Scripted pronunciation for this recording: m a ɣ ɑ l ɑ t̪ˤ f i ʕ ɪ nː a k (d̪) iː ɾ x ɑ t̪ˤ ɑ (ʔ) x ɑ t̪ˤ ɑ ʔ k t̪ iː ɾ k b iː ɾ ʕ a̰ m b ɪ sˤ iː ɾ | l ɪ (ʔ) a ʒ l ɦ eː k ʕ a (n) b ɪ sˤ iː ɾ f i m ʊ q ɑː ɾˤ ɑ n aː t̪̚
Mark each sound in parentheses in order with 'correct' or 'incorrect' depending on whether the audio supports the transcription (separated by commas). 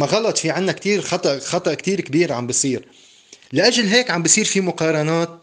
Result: incorrect, correct, correct, incorrect